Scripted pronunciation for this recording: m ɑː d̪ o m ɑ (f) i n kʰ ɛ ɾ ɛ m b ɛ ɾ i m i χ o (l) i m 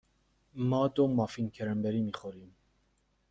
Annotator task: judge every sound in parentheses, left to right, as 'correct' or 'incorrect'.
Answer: correct, incorrect: ɾ

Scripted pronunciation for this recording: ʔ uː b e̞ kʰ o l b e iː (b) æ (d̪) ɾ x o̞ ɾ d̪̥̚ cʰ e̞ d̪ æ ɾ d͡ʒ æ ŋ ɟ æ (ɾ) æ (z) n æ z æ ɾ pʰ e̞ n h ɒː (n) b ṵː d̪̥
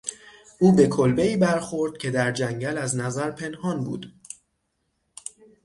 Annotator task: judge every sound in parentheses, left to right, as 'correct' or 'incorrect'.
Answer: correct, incorrect: none, incorrect: l, correct, correct

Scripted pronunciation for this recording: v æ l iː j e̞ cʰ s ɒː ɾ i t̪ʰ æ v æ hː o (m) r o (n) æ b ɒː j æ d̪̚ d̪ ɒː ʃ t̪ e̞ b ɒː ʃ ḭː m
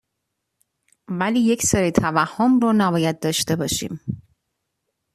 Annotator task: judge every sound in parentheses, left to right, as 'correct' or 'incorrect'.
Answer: correct, correct

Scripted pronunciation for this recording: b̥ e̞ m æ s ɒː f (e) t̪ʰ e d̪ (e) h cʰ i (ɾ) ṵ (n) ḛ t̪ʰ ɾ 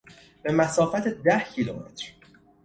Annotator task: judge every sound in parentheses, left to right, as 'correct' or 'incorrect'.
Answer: incorrect: æ, incorrect: æ, incorrect: l, incorrect: m

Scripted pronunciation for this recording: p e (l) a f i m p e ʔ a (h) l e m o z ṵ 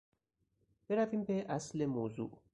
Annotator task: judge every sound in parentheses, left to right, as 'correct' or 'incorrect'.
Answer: incorrect: ɾ, incorrect: s

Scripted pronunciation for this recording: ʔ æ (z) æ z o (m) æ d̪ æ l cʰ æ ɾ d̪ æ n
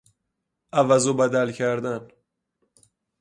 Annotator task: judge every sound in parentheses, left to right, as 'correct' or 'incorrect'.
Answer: incorrect: v, incorrect: b

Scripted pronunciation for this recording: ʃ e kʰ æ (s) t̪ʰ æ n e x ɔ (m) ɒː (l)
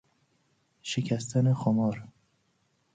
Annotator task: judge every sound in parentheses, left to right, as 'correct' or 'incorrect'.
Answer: correct, correct, incorrect: ɾ

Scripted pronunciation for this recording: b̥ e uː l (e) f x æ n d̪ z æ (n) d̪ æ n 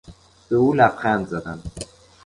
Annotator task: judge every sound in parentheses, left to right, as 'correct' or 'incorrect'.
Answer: incorrect: æ, incorrect: none

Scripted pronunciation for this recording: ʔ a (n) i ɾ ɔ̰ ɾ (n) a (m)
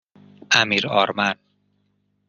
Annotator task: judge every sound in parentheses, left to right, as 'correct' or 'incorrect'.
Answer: incorrect: m, incorrect: m, incorrect: n

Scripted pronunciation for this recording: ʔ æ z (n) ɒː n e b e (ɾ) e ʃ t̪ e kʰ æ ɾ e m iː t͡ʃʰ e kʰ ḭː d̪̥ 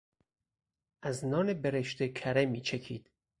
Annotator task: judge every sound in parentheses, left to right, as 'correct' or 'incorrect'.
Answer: correct, correct

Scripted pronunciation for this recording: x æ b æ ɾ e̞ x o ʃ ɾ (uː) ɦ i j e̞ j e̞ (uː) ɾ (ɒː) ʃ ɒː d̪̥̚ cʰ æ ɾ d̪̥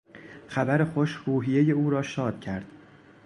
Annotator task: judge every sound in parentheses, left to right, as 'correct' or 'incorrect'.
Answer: correct, correct, correct

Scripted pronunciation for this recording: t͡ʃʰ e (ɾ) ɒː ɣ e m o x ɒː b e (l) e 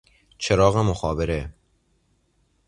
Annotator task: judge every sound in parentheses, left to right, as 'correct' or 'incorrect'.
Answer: correct, incorrect: ɾ

